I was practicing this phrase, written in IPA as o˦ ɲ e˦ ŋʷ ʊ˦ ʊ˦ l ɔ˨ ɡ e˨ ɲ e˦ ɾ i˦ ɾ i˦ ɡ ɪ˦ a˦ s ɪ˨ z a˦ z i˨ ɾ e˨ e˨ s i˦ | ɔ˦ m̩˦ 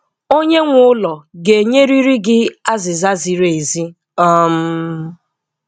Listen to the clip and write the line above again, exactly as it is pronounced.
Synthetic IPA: o˦ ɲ e˦ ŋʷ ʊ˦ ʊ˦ l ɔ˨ ɡ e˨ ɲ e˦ ɾ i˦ ɾ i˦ ɡ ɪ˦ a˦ z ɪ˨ z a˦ z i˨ ɾ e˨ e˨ z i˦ | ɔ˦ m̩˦